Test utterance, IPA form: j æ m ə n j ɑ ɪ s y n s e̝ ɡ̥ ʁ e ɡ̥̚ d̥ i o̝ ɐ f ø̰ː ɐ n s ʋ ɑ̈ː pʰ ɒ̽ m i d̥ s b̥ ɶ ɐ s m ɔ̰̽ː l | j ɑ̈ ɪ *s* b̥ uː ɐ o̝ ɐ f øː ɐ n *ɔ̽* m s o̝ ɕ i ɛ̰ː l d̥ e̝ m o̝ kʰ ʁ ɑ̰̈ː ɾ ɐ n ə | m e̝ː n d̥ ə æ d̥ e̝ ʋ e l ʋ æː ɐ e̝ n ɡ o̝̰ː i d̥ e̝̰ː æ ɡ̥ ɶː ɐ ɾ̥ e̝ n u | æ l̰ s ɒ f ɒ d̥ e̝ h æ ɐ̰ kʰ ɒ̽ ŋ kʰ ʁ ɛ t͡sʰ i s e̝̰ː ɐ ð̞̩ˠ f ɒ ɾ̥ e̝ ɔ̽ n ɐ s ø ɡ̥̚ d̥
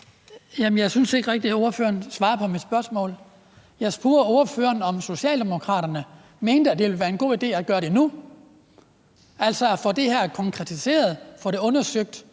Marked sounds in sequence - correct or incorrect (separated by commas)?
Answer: correct, incorrect